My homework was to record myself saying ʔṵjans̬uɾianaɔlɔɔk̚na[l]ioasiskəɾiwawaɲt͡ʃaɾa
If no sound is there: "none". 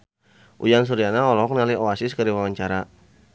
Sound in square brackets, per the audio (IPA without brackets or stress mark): l